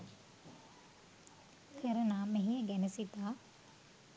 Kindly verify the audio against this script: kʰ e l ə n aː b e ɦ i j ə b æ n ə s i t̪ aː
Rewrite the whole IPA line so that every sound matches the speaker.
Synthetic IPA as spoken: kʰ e ɾ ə n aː m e ɦ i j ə ɡ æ n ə s i t̪ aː